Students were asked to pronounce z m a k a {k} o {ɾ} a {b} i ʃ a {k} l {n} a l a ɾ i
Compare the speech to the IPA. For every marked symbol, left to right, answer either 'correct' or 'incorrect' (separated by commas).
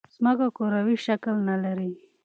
correct, correct, incorrect, correct, correct